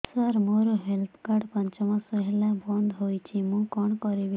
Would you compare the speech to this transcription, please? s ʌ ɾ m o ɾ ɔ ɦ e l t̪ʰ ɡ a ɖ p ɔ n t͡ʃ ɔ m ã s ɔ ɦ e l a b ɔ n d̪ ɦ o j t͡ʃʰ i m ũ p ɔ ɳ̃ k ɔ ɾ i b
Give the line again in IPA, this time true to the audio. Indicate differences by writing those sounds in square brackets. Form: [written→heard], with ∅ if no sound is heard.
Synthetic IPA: s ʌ ɾ m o ɾ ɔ ɦ e l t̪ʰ [ɡ→k] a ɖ p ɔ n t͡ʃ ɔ m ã s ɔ ɦ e l a b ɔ n d̪ ɦ o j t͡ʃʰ i m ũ [p→k] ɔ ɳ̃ k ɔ ɾ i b